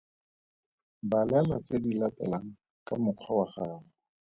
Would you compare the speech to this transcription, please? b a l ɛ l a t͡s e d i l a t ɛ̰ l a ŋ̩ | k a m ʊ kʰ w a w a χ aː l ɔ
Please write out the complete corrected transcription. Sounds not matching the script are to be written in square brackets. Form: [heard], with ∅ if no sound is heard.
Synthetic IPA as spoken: b a l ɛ l a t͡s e d i l a t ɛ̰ l a ŋ̩ | k a m ʊ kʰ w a w a χ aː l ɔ